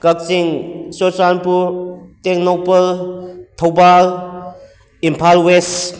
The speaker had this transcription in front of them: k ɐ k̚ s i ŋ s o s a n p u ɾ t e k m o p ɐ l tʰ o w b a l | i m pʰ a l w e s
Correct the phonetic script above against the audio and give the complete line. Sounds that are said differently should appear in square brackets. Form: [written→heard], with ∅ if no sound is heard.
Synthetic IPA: k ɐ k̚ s i ŋ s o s a n p u ɾ t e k [m→n] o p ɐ l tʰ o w b a l | i m pʰ a l w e s

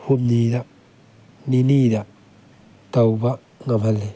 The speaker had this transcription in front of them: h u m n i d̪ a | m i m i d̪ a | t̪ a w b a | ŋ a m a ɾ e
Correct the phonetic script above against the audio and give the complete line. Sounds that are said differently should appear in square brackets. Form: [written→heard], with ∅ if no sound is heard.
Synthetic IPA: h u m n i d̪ a | [m→n] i [m→n] i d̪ a | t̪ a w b a | ŋ a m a [ɾ→l] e

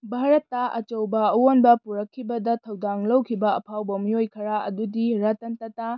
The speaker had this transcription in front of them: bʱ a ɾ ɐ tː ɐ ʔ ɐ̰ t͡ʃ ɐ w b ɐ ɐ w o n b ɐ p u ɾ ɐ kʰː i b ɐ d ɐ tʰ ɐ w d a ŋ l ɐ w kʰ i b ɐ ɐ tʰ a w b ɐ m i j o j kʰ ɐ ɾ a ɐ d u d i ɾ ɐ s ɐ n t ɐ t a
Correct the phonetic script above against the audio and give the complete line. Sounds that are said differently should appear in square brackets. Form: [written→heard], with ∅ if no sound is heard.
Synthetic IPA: bʱ a ɾ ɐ tː ɐ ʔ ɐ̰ t͡ʃ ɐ w b ɐ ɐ w o n b ɐ p u ɾ ɐ kʰː i b ɐ d ɐ tʰ ɐ w d a ŋ l ɐ w kʰ i b ɐ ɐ [tʰ→pʰ] a w b ɐ m i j o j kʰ ɐ ɾ a ɐ d u d i ɾ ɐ [s→t] ɐ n t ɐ t a

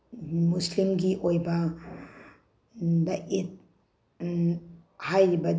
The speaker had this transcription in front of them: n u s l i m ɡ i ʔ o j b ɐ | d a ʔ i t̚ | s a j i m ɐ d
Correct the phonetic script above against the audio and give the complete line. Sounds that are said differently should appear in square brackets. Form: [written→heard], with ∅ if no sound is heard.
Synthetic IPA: [n→m] u s l i m ɡ i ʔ o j b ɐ | d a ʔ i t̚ | [s→h] a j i [m→b] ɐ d

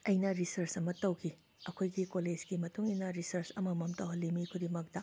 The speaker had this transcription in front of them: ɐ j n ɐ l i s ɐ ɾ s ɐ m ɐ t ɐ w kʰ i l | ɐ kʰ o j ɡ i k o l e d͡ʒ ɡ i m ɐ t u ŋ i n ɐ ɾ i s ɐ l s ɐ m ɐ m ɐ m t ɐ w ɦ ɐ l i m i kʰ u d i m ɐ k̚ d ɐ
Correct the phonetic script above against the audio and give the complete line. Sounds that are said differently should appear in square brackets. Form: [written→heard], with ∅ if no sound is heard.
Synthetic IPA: ɐ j n ɐ [l→ɾ] i s ɐ ɾ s ɐ m ɐ t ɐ w kʰ i [l→∅] | ɐ kʰ o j ɡ i k o l e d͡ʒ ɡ i m ɐ t u ŋ i n ɐ ɾ i s ɐ [l→ɾ] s ɐ m ɐ m ɐ m t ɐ w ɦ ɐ l i m i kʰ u d i m ɐ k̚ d ɐ

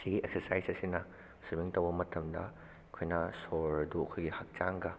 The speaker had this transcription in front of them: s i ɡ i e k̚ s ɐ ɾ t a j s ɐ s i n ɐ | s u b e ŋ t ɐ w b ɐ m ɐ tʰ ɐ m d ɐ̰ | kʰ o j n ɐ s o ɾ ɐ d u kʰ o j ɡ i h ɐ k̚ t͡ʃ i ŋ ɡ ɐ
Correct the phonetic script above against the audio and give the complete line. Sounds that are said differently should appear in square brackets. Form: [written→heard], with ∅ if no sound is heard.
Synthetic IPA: s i ɡ i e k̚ s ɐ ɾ [t→s] a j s ɐ s i n ɐ | s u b [e→i] ŋ t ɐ w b ɐ m ɐ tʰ ɐ m d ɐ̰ | kʰ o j n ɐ s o ɾ ɐ d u kʰ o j ɡ i h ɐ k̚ t͡ʃ [i→a] ŋ ɡ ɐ

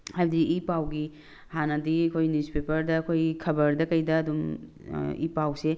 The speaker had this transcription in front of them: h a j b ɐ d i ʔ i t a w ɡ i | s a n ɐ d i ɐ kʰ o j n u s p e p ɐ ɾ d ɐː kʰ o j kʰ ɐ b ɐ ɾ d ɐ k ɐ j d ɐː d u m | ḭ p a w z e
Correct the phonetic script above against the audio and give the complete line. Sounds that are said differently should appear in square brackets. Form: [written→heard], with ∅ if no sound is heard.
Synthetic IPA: h a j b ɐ d i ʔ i [t→p] a w ɡ i | [s→h] a n ɐ d i ɐ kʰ o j n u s p e p ɐ ɾ d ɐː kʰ o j kʰ ɐ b ɐ ɾ d ɐ k ɐ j d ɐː d u m | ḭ p a w [z→s] e

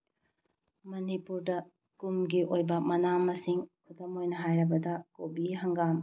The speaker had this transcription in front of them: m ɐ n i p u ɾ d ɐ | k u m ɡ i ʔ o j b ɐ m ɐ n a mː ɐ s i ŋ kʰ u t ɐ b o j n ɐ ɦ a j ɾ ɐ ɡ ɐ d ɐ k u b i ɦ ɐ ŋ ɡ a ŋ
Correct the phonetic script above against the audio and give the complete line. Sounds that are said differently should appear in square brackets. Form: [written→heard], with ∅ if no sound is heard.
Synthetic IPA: m ɐ n i p u ɾ d ɐ | k u m ɡ i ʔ o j b ɐ m ɐ n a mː ɐ s i ŋ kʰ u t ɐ [b→m] o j n ɐ ɦ a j ɾ ɐ [ɡ→b] ɐ d ɐ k [u→o] b i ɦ ɐ ŋ ɡ a [ŋ→m]

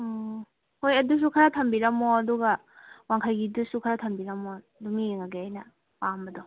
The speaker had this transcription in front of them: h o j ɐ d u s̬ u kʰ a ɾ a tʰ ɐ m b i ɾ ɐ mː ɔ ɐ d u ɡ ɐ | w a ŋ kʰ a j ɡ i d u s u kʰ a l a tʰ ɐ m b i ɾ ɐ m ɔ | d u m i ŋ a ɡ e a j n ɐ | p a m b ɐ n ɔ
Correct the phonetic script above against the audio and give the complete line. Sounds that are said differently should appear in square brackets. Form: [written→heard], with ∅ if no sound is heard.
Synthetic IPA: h o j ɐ d u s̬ u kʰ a ɾ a tʰ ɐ m b i ɾ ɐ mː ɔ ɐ d u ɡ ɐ | w a ŋ kʰ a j ɡ i d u s u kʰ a [l→ɾ] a tʰ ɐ m b i ɾ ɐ m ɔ | d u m i ŋ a ɡ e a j n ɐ | p a m b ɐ [n→d] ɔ

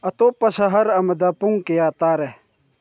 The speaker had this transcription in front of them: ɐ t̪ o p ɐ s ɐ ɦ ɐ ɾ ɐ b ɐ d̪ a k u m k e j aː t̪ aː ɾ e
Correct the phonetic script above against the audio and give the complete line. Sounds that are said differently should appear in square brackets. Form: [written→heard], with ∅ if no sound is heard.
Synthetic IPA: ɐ t̪ o p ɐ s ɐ ɦ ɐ ɾ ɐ [b→m] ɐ d̪ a [k→p] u [m→ŋ] k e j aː t̪ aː ɾ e

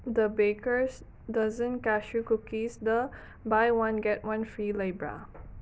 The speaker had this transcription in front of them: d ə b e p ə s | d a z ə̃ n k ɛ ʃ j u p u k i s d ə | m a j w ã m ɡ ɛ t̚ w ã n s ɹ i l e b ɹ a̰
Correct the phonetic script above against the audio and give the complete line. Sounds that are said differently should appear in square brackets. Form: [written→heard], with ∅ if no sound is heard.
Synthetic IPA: d ə b e [p→k] ə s | d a z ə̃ n k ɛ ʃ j u [p→k] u k i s d ə | [m→b] a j w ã [m→n] ɡ ɛ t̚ w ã n [s→f] ɹ i l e b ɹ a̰

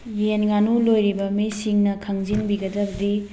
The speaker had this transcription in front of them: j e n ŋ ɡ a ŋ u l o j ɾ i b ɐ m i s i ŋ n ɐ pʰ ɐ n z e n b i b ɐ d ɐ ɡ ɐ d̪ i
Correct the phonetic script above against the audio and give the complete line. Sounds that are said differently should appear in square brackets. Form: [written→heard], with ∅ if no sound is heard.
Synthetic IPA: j e n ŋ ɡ a [ŋ→n] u l o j ɾ i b ɐ m i s i ŋ n ɐ [pʰ→kʰ] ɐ [n→ŋ] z [e→i] n b i [b→ɡ] ɐ d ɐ [ɡ→b] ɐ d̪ i

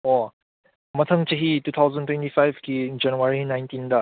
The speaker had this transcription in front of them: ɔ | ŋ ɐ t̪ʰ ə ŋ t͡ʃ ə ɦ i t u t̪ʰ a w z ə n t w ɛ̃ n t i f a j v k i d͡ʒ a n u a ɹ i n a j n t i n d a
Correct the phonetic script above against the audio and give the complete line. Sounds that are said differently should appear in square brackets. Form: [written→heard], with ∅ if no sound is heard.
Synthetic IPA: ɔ | [ŋ→m] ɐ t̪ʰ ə ŋ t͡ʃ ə ɦ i t u t̪ʰ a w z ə n t w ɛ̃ n t i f a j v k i d͡ʒ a n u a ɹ i n a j n t i n d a

